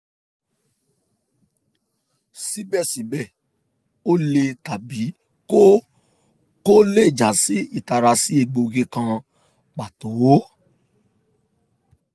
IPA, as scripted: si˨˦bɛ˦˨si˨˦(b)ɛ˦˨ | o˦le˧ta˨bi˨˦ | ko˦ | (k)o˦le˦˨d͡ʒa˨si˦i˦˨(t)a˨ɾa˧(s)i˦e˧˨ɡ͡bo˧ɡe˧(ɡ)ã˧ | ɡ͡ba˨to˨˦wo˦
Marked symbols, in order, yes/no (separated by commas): yes, yes, yes, yes, no